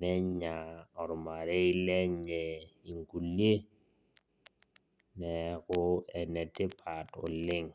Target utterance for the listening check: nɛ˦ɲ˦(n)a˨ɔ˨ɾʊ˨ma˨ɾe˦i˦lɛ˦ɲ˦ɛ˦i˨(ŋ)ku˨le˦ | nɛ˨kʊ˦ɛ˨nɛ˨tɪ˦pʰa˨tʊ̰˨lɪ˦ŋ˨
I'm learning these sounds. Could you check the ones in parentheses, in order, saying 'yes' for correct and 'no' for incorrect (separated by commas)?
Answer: no, yes